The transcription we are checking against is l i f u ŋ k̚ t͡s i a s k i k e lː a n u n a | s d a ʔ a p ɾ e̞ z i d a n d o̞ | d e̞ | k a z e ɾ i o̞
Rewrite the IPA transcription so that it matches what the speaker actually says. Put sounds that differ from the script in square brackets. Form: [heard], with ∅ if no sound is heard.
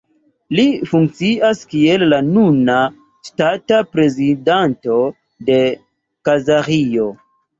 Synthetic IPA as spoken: l i f u ŋ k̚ t͡s i a s k i [∅] e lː a n u n a | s [t] a [t] a p ɾ e̞ z i d a n [t] o̞ | d e̞ | k a z [a] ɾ i o̞